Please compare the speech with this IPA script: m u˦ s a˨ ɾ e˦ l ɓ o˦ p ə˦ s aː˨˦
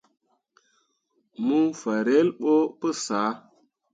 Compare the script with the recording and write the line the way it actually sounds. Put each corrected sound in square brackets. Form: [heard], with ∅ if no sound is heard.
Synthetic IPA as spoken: m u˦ [f] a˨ ɾ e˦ l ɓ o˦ p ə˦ s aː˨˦